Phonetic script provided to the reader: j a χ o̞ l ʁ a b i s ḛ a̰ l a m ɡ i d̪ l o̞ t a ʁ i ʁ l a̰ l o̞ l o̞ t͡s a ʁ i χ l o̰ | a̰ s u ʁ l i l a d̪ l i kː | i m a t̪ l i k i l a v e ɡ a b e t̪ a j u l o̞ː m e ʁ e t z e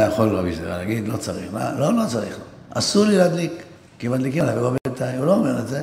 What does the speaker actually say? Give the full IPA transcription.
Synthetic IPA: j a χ o̞ l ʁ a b i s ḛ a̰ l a ɡ i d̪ l o̞ t͡s a ʁ i χ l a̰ l o̞ l o̞ t͡s a ʁ i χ l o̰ | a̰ s u ʁ l i l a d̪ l i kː | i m a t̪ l i k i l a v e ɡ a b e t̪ a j u l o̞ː m e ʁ e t z e